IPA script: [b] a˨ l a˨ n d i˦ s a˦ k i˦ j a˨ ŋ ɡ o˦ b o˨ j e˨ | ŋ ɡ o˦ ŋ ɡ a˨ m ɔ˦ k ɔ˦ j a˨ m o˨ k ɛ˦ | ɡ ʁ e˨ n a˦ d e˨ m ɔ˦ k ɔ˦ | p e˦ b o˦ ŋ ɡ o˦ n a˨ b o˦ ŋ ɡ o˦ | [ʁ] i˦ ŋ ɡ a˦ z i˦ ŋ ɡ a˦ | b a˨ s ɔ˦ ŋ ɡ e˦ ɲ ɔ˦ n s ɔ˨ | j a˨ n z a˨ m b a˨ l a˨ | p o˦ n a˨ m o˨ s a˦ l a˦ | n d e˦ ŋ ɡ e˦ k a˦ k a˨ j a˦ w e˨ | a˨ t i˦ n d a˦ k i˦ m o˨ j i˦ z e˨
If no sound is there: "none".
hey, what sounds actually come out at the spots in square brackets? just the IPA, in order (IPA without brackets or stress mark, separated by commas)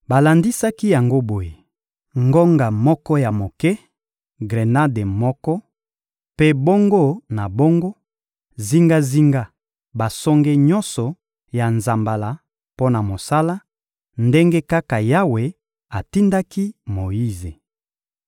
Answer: b, z